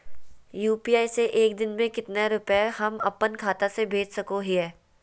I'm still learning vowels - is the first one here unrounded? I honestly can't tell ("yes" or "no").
no